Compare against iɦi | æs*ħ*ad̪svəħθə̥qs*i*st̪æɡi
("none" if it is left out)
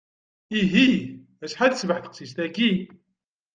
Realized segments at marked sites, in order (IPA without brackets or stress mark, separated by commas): ħ, i